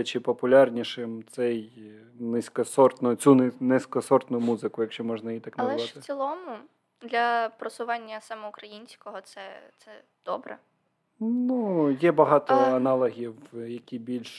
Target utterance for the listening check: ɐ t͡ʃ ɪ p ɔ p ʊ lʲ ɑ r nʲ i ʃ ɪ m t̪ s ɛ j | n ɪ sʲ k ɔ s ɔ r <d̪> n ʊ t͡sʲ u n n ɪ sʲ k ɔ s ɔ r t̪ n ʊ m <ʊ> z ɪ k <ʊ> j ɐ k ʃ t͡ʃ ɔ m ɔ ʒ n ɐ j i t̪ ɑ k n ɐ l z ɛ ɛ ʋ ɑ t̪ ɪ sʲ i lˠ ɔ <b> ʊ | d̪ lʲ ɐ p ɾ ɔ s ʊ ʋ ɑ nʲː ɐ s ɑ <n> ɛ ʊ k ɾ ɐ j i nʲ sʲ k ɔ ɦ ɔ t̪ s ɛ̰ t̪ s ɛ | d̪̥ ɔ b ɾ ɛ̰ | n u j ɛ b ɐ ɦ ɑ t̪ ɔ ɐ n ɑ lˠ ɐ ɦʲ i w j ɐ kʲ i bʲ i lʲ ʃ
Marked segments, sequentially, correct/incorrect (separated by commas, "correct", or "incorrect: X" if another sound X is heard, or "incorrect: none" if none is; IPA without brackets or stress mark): incorrect: t̪, incorrect: u, correct, incorrect: m, incorrect: m